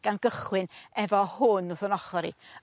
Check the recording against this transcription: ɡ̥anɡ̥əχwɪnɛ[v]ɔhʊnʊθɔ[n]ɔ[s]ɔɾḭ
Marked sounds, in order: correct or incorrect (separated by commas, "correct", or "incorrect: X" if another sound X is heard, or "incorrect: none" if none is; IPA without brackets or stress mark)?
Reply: correct, correct, incorrect: χ